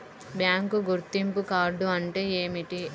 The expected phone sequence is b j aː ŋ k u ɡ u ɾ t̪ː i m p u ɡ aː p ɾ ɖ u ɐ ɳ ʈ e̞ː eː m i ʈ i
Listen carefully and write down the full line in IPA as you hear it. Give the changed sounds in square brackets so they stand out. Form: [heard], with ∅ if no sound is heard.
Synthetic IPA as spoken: b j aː ŋ k u ɡ u ɾ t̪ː i m p u [k] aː [∅] ɾ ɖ u ɐ ɳ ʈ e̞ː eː m i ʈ i